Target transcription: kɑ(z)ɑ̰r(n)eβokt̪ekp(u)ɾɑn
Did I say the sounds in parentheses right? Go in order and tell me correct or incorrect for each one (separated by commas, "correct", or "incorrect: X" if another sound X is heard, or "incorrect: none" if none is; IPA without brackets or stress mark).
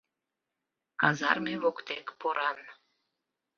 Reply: correct, incorrect: m, incorrect: o